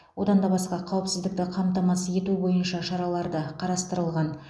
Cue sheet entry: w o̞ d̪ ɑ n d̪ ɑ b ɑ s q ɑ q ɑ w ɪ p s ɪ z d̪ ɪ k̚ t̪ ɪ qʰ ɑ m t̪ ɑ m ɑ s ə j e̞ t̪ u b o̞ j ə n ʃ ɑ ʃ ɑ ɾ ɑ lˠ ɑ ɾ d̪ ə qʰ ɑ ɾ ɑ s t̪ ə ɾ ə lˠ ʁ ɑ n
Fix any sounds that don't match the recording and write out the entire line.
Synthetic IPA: w o̞ d̪ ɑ n d̪ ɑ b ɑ s q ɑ qʰ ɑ w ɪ p s ɪ z d̪ ɪ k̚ t̪ ɪ qʰ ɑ m t̪ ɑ m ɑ s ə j e̞ t̪ u b o̞ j ə n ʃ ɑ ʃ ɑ ɾ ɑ lˠ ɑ ɾ d̪ ə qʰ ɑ ɾ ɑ s t̪ ə ɾ ə lˠ ʁ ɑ n